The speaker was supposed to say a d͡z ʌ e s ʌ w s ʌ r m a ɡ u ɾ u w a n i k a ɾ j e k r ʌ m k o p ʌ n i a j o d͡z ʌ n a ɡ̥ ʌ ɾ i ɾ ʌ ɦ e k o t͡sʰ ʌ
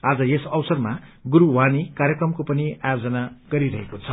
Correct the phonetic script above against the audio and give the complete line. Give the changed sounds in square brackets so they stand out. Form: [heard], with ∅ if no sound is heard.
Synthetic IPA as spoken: a d͡z ʌ e s ʌ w s ʌ r m a ɡ u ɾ u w a n i k a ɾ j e k r ʌ m k o p ʌ n i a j o d͡z ʌ n a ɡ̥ ʌ ɾ i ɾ ʌ ɦ e k o t͡sʰ ʌ